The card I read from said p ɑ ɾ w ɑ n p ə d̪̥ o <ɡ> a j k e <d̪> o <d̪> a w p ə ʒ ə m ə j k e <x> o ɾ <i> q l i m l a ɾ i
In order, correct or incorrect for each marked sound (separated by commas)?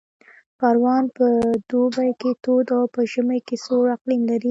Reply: incorrect, incorrect, correct, incorrect, incorrect